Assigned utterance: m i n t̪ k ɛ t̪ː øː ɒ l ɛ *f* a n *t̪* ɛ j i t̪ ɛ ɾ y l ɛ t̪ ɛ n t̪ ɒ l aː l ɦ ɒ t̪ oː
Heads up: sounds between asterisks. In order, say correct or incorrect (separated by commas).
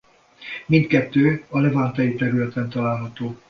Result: incorrect, correct